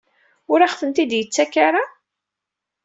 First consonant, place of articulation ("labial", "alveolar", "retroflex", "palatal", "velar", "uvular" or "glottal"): alveolar